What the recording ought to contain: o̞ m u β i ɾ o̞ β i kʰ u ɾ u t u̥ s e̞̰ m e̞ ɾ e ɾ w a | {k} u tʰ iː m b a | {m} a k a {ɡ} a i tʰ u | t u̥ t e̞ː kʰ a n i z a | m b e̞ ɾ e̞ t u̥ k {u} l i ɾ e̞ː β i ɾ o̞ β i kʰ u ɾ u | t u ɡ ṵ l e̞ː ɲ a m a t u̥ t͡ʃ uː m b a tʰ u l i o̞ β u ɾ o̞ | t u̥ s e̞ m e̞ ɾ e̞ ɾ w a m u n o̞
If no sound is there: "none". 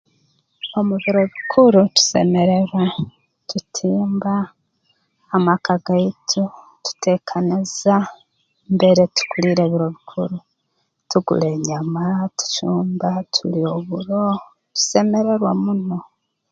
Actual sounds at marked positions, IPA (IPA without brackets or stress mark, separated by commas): t, m, ɡ, u